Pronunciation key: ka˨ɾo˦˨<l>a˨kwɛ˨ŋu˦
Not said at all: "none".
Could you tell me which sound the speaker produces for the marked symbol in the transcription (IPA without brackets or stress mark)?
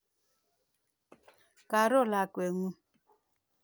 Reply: l